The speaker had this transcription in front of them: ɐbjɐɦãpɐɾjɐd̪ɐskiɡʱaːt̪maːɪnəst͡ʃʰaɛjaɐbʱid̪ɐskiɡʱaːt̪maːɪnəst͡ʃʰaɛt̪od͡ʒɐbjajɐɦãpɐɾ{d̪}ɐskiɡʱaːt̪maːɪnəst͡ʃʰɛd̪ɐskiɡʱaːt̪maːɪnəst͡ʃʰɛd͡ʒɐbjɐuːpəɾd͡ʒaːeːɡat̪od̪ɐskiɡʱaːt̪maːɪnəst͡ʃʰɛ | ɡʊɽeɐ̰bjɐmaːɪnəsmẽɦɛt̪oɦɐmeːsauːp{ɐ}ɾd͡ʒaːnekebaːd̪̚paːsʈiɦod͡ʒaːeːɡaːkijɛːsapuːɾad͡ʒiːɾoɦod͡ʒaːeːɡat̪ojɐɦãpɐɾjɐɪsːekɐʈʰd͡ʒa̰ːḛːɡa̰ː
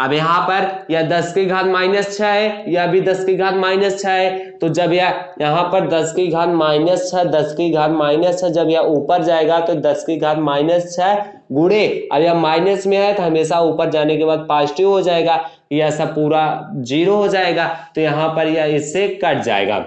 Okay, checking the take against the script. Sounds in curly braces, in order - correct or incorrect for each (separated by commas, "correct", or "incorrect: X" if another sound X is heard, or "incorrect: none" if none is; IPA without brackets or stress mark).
correct, incorrect: ə